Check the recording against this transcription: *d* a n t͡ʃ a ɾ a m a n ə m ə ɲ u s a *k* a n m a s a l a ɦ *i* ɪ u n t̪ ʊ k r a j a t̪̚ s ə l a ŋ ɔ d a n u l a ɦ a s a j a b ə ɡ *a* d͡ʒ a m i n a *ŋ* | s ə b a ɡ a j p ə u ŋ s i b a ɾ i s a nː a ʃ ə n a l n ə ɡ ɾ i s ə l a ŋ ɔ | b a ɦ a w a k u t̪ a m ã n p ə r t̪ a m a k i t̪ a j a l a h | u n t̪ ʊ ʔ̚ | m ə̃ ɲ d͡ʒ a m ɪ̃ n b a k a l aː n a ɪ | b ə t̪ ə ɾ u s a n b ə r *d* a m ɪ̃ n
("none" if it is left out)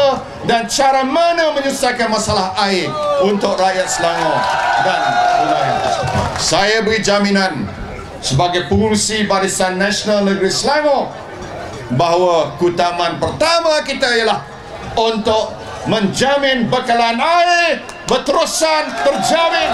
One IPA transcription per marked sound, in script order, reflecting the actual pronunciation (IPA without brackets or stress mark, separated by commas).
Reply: d, k, a, i, n, d͡ʒ